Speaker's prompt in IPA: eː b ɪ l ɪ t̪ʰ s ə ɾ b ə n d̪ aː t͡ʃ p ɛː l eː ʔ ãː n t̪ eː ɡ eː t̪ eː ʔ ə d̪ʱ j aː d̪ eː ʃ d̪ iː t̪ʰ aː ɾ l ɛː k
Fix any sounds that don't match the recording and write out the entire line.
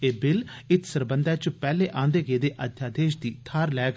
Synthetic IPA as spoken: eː b ɪ l ɪ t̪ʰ s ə ɾ b ə n d̪ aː t͡ʃ p ɛː l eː ʔ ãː n d̪ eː ɡ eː d̪ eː ʔ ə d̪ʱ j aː d̪ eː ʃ d̪ iː t̪ʰ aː ɾ l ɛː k